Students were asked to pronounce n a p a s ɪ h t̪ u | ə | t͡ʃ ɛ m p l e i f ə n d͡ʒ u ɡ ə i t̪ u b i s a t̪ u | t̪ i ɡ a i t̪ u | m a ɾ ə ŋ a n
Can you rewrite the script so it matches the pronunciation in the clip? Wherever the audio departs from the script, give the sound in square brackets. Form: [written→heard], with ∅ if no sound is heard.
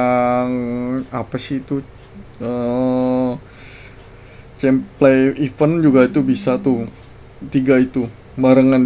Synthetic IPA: [n→ŋ] a p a s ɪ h t̪ u | ə | t͡ʃ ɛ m p l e i f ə n d͡ʒ u ɡ [ə→a] i t̪ u b i s a t̪ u | t̪ i ɡ a i t̪ u | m a ɾ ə ŋ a n